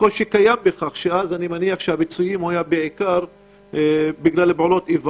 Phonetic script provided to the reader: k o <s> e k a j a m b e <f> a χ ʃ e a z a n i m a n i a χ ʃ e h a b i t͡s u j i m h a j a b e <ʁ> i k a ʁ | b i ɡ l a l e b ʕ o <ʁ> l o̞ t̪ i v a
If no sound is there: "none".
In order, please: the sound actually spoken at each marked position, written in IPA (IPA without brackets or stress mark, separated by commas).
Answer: ʃ, χ, ʕ, none